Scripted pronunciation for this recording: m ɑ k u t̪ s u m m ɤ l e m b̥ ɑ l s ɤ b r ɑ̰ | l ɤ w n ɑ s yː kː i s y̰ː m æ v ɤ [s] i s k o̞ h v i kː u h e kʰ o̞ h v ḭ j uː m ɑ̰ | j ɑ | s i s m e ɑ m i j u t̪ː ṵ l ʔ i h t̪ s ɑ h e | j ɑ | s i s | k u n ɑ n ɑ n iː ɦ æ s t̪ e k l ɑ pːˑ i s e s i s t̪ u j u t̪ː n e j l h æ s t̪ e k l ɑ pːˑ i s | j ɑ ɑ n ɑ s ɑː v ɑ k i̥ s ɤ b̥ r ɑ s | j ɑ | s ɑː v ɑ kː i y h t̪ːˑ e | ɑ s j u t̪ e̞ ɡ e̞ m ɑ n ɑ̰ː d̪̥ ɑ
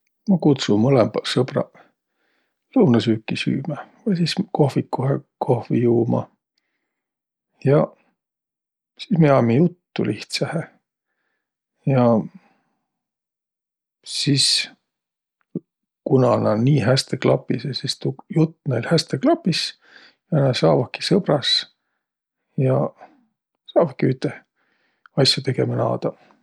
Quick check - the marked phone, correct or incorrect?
correct